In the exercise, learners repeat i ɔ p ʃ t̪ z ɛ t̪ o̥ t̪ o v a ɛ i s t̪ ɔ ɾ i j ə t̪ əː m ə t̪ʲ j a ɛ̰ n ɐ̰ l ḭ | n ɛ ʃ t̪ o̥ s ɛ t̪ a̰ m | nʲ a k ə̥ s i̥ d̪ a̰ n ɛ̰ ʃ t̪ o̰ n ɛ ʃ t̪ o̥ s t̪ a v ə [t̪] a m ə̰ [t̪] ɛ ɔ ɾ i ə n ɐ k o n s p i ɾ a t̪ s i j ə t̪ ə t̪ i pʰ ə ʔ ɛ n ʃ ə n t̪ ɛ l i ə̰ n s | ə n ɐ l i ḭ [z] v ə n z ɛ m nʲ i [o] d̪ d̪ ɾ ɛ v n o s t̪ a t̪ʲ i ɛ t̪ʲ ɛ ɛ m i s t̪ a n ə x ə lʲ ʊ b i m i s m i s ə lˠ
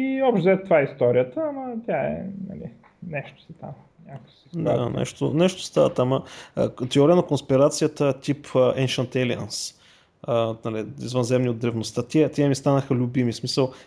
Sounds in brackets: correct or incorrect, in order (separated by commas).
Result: correct, correct, correct, correct